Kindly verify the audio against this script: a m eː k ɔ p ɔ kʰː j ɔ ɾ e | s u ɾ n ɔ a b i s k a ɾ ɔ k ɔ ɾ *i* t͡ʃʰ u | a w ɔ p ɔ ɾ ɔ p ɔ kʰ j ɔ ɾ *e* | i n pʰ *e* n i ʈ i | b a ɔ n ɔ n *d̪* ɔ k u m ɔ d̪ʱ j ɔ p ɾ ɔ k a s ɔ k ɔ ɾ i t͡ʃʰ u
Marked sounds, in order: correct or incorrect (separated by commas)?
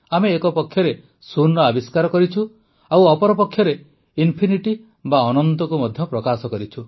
correct, correct, incorrect, incorrect